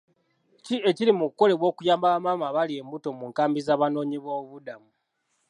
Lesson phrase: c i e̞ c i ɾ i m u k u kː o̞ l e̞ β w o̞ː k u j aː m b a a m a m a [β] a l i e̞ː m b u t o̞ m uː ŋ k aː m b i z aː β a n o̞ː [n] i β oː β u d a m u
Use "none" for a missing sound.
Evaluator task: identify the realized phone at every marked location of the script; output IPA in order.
β, ɲ

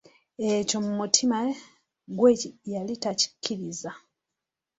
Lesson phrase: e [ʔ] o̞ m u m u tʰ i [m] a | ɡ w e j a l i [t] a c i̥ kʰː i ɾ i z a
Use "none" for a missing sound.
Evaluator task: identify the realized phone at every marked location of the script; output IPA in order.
c, m, t

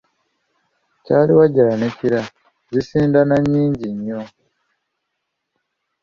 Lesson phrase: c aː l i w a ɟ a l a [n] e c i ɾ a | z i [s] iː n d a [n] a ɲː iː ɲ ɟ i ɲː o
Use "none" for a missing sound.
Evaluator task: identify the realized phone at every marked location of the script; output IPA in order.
n, s, n

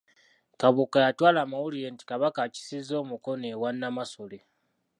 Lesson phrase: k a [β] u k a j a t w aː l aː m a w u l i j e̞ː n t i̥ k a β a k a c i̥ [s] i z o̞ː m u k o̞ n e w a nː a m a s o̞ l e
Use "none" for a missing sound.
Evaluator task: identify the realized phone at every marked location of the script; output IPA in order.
β, s

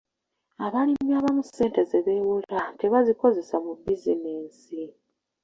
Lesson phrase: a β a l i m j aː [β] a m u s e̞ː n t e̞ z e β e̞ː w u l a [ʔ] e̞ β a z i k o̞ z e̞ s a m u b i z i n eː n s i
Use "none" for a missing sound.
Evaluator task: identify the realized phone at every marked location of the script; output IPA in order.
β, t

